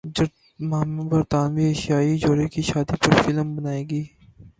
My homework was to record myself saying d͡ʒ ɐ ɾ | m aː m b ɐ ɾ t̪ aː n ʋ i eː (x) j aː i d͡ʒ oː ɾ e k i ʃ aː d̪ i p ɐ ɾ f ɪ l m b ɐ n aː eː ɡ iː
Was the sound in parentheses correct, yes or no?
no